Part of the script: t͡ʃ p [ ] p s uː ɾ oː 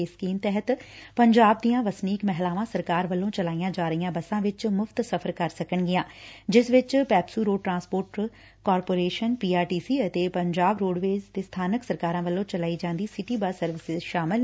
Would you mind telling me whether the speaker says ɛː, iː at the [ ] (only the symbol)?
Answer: ɛː